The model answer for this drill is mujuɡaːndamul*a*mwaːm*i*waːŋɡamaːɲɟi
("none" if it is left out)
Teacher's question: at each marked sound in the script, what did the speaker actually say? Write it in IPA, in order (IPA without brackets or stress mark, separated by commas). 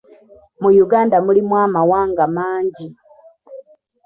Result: i, a